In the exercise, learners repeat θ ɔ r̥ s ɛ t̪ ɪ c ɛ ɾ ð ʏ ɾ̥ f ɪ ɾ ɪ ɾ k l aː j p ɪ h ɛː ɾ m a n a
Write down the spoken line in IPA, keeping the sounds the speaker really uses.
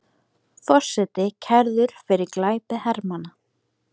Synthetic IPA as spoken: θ ɔ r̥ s ɛ t̪ ɪ cʰ ɛ ɾ ð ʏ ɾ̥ f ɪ ɾ ɪ ɾ k l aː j p ɪ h ɛ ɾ m a n a